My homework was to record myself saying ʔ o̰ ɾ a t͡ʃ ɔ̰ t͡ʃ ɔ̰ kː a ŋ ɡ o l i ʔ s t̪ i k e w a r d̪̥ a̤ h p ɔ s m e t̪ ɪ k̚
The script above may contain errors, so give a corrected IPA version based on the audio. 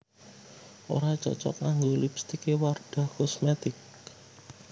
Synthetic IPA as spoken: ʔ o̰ ɾ a t͡ʃ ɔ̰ t͡ʃ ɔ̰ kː a ŋ ɡ o l i p s t̪ i k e w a r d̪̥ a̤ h k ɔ s m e t̪ ɪ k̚